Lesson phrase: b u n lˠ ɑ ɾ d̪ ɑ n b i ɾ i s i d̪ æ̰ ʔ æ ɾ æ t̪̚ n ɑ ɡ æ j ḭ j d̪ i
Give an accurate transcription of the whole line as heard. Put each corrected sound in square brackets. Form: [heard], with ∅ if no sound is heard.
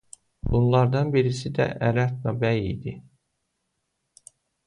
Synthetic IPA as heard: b u n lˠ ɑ ɾ d̪ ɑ n b i ɾ i s i d̪ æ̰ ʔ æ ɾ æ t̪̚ n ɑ [b] æ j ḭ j d̪ i

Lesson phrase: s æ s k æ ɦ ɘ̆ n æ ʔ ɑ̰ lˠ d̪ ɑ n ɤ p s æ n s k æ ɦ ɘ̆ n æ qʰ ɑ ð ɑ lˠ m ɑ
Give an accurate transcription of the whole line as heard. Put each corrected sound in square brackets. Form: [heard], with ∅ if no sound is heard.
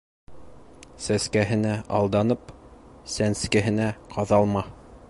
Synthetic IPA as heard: s æ s k æ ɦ ɘ̆ n æ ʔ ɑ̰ lˠ d̪ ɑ n ɤ p s æ n s k æ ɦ ɘ̆ n æ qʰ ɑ ð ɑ lˠ m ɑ

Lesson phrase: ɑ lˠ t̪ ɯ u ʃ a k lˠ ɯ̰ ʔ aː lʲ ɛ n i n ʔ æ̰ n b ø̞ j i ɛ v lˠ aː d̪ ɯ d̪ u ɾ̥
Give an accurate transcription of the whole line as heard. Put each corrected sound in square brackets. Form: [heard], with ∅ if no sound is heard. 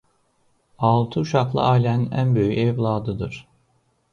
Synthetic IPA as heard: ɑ lˠ [t̪ʰ] ɯ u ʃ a k lˠ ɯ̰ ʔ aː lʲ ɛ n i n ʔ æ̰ n b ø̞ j [y] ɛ v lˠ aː d̪ ɯ d̪ [ɯ] ɾ̥

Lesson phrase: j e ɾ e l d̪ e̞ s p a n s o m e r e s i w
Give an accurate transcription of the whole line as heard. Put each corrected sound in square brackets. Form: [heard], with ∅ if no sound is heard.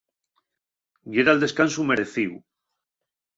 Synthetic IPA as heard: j e ɾ [a] l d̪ e̞ s [k] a n s [u] m e [ɾ] e [θ] i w

